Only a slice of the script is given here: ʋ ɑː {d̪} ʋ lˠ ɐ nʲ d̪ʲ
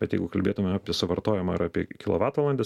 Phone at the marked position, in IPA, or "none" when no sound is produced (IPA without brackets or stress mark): t̪